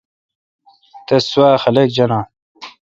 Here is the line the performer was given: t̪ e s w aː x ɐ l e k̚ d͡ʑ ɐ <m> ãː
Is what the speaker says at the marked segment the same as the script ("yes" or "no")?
no